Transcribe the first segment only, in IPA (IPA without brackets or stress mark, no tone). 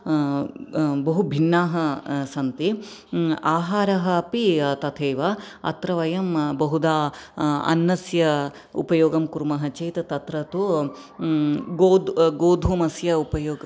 b